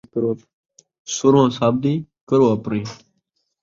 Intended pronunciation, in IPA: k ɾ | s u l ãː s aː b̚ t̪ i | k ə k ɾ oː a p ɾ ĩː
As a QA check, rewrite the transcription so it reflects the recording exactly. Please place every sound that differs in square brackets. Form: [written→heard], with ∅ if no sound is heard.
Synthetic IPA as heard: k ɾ | s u [l→ɾ] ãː s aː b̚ [t̪→d̪] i | k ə [k→∅] ɾ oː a p ɾ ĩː